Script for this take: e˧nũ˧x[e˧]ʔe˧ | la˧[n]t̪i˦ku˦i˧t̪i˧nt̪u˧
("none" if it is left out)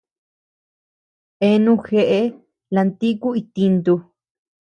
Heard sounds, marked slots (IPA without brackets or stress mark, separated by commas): e˧, n